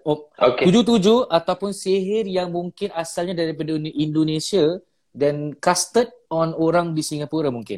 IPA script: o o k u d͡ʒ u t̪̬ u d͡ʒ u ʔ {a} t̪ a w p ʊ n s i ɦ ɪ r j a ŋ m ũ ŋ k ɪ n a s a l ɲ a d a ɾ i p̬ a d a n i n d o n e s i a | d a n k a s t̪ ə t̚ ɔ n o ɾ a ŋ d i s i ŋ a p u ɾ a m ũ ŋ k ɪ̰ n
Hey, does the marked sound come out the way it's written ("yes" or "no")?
yes